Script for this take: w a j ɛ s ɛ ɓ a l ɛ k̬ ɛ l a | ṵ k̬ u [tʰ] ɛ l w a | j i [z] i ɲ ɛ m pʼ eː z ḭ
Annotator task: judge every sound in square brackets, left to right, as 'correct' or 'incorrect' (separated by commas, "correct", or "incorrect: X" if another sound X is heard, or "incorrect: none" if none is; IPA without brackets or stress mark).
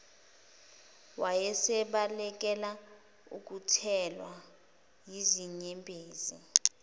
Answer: correct, correct